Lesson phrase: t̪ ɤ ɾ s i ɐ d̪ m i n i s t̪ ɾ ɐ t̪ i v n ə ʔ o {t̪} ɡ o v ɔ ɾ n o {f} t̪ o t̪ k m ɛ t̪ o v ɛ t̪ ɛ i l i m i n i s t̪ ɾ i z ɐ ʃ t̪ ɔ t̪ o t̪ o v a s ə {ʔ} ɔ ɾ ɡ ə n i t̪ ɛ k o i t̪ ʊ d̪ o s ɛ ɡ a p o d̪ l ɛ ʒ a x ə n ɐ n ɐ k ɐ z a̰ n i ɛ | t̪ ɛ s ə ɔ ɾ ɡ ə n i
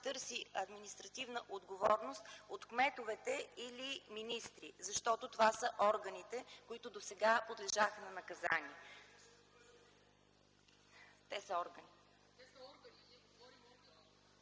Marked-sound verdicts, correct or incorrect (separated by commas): incorrect, incorrect, correct